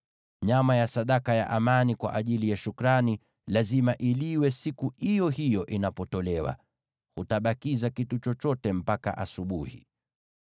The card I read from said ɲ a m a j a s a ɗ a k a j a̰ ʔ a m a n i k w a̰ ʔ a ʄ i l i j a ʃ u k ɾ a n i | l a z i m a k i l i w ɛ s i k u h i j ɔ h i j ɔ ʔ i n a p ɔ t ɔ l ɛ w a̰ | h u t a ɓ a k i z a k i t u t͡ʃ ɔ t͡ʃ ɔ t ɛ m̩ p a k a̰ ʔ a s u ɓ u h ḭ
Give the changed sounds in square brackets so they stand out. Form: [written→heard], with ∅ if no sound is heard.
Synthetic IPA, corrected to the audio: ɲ a m a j a s a ɗ a k a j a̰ ʔ a m a n i k w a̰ ʔ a ʄ i l i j a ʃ u k ɾ a n i | l a z i m a [k→ʔ] i l i w ɛ s i k u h i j ɔ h i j ɔ ʔ i n a p ɔ t ɔ l ɛ w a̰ | h u t a ɓ a k i z a k i t u t͡ʃ ɔ t͡ʃ ɔ t ɛ m̩ p a k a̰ ʔ a s u ɓ u h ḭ